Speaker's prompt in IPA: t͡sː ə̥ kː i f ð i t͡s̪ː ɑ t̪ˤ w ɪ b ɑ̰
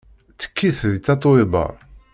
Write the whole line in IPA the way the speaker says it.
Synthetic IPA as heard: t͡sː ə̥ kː i θ ð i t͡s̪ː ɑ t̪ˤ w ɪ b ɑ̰